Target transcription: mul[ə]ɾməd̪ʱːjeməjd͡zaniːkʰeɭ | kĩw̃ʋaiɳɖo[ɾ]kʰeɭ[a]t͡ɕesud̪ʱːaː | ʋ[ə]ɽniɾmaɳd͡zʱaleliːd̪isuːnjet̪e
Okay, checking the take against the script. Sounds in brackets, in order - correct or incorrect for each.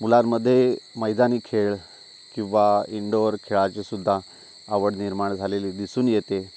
incorrect, correct, correct, correct

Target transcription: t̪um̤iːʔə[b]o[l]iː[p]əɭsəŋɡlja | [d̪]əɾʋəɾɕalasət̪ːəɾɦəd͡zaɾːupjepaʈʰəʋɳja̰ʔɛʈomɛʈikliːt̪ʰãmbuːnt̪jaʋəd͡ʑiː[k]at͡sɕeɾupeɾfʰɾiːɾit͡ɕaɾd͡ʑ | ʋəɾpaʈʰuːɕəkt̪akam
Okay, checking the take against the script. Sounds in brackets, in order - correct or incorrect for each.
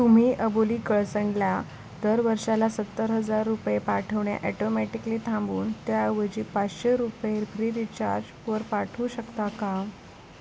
correct, correct, incorrect, correct, incorrect

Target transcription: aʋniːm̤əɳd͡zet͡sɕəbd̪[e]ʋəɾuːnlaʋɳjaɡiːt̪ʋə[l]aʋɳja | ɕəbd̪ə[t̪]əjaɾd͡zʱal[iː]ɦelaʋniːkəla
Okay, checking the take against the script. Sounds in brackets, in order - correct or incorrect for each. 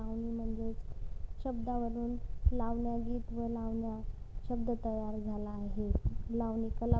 incorrect, correct, correct, incorrect

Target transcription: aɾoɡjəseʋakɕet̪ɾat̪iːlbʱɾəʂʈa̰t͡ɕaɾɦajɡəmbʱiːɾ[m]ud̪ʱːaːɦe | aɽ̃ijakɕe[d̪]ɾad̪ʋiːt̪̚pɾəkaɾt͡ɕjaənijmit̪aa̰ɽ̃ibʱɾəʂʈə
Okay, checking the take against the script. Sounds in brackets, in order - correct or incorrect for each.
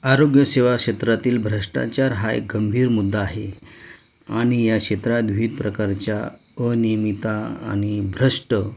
correct, incorrect

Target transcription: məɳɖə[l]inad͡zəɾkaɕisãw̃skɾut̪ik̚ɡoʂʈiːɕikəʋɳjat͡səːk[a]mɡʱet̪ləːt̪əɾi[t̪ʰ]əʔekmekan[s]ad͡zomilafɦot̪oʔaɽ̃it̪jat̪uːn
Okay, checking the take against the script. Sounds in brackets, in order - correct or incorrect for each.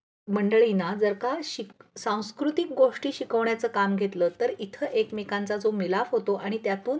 incorrect, correct, correct, incorrect

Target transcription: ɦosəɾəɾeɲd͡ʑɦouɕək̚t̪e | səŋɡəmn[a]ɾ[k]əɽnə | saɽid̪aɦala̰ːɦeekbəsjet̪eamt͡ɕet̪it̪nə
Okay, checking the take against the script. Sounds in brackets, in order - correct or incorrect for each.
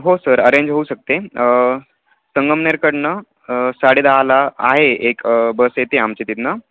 incorrect, correct

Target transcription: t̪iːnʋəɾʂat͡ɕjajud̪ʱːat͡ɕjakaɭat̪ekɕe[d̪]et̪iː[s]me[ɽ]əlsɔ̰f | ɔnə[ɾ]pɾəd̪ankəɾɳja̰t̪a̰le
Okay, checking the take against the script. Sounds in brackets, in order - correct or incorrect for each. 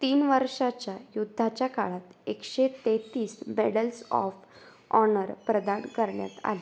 incorrect, correct, correct, correct

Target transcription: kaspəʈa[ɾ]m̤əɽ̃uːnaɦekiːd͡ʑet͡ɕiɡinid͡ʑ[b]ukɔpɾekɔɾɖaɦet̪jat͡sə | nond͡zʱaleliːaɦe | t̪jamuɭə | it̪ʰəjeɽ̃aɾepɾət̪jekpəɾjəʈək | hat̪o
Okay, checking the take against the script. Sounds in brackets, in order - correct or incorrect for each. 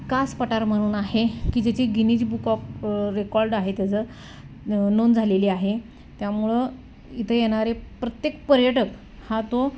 correct, correct

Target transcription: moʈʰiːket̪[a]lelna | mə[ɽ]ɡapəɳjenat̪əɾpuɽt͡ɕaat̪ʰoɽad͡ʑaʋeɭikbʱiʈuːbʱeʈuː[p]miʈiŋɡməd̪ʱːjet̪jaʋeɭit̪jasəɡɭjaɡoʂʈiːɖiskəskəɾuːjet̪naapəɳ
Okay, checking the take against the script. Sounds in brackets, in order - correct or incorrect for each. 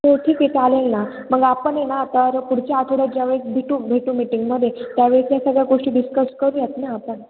correct, incorrect, incorrect

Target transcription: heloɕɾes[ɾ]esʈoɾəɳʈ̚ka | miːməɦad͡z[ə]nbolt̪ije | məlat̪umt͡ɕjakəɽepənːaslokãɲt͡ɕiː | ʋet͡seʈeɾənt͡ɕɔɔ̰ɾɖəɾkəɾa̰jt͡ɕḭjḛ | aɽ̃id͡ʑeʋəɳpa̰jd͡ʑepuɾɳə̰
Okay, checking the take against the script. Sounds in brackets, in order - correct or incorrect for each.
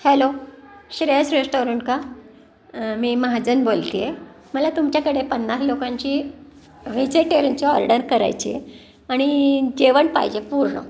correct, correct

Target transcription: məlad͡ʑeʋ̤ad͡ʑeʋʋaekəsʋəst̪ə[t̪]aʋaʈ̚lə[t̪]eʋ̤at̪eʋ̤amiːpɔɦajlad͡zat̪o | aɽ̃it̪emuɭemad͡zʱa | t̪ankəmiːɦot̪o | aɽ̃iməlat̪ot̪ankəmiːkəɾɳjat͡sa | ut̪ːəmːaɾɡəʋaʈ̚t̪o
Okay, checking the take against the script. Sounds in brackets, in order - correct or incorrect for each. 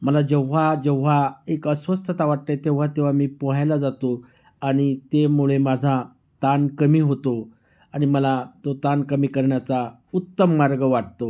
correct, correct

